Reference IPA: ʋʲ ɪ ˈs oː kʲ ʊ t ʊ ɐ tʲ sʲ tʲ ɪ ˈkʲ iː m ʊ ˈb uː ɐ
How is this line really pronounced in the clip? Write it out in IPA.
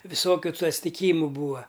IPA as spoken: ʋʲ ɪ ˈs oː kʲ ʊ t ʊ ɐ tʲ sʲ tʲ ɪ ˈkʲ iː m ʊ ˈb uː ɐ

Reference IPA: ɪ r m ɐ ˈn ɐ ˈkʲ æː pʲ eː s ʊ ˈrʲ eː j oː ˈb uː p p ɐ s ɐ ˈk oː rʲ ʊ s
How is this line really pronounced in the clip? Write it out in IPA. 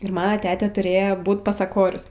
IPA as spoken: ɪ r m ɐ ˈn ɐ ˈtʲ æː tʲ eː t ʊ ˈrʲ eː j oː ˈb uː t p ɐ s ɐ ˈk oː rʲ ʊ s

